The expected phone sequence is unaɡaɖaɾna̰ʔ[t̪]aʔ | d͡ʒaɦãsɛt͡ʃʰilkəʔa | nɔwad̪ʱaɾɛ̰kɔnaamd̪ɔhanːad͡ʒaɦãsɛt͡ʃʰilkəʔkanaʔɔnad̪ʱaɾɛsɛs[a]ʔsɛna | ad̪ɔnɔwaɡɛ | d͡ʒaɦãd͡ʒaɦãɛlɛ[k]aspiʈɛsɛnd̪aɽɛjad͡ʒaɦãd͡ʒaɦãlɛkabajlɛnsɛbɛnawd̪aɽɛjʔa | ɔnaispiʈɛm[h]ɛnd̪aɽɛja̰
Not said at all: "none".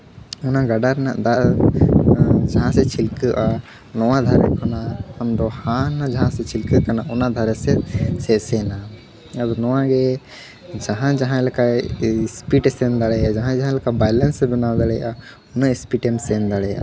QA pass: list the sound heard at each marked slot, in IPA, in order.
d̪, ɛ, k, s

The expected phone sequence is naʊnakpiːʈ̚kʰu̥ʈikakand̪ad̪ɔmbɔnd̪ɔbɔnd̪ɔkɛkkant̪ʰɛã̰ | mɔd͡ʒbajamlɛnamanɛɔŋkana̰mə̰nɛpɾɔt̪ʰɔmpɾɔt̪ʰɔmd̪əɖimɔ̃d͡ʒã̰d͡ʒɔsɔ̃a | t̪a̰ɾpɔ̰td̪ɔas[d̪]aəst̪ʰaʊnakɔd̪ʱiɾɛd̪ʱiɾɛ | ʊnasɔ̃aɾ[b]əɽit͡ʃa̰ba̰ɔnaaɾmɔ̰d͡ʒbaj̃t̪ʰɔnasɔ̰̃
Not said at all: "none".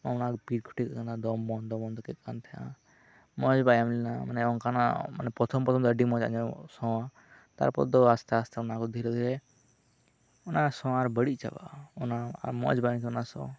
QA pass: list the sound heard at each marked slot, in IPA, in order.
t̪, b

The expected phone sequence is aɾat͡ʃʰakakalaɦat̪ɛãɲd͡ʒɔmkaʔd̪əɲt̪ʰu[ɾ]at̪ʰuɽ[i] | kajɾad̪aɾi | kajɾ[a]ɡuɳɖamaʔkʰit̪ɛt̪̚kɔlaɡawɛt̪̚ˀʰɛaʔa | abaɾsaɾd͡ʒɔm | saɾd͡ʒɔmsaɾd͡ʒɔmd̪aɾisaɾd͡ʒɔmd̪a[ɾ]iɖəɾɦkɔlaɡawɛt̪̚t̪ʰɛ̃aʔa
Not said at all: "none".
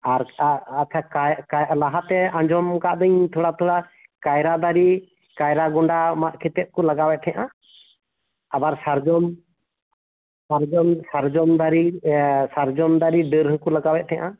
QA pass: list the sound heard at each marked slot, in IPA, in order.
ɽ, a, a, ɾ

